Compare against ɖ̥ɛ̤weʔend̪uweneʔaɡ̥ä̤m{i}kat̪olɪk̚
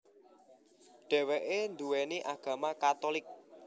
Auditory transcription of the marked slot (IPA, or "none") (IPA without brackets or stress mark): a